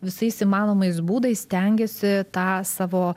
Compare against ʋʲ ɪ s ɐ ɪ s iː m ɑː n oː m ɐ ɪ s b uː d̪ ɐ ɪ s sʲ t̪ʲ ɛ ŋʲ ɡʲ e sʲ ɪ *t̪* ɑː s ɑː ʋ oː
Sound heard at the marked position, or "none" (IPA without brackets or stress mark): t̪